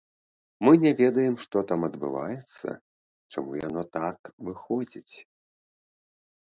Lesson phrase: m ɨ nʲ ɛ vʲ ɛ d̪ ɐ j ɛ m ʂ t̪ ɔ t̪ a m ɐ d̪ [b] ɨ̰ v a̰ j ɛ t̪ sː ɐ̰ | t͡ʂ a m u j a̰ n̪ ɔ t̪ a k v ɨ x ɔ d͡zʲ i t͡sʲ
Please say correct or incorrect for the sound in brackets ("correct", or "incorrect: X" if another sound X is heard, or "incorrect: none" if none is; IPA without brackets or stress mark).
correct